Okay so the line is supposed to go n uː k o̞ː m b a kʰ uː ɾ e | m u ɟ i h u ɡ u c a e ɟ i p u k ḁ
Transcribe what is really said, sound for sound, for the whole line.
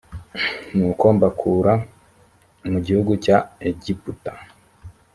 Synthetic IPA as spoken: n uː k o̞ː m b a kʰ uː ɾ a | m u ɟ i h u ɡ u c a e ɟ i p u t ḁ